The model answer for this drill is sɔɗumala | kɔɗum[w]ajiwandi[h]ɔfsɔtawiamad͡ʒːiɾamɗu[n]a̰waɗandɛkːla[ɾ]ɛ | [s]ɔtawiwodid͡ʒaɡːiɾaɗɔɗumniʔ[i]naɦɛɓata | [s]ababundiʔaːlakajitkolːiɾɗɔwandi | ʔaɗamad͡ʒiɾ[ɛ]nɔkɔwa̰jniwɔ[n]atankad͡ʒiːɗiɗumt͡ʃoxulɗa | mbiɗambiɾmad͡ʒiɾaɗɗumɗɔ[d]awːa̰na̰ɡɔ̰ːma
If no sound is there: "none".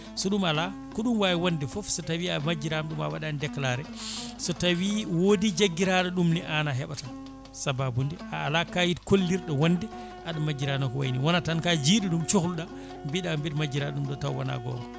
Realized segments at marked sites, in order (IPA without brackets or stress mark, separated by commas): w, f, m, ɾ, s, a, s, a, n, t